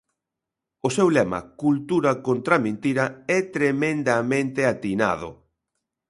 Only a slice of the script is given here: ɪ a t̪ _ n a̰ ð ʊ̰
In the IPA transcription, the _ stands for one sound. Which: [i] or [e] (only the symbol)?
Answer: i